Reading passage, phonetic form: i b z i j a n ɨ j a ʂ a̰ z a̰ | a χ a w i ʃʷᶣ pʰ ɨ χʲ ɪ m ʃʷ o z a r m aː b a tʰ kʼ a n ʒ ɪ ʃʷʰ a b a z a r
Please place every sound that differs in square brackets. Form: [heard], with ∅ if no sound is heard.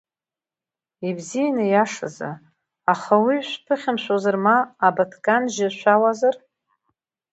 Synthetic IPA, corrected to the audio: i b z i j a n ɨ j a ʂ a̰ z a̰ | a χ a w i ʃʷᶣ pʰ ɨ χʲ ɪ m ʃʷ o z a r m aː b a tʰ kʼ a n ʒ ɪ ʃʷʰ a [w] a z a r